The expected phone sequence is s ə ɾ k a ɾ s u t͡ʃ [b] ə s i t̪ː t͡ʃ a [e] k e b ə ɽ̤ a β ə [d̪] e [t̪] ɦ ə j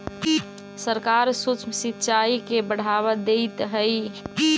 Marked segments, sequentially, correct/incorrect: incorrect, incorrect, correct, correct

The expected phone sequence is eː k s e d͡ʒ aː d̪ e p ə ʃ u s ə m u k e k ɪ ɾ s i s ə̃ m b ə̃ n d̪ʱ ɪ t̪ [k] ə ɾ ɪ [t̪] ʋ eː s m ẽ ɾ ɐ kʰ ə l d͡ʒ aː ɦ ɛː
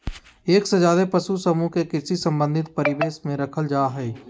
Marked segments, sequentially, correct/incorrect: incorrect, incorrect

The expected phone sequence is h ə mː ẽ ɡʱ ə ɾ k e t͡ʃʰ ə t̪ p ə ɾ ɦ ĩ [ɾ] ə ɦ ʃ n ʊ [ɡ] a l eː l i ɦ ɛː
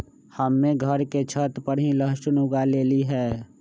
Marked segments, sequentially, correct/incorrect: incorrect, correct

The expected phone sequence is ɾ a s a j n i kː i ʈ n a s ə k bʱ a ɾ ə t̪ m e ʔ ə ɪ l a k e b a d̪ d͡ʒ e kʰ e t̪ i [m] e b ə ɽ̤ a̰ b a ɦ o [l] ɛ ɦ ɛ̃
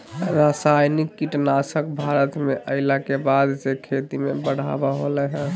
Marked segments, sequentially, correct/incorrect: correct, correct

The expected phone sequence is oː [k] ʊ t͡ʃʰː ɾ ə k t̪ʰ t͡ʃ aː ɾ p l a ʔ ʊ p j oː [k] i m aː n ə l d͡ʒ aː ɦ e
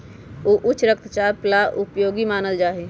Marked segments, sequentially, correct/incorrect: incorrect, incorrect

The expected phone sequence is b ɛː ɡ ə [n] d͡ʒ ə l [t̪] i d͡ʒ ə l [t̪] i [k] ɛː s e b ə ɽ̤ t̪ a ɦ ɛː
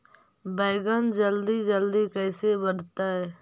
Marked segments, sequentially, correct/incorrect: correct, incorrect, incorrect, correct

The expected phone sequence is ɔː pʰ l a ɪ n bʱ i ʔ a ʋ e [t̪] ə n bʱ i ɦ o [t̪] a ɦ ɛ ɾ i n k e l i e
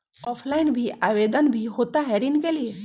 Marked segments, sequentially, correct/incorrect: incorrect, correct

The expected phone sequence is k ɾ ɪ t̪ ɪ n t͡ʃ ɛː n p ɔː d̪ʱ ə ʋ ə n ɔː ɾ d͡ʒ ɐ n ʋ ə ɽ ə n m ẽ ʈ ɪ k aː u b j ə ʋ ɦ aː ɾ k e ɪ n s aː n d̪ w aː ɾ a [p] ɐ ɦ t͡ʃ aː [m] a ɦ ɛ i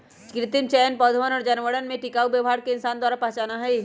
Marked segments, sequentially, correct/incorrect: correct, incorrect

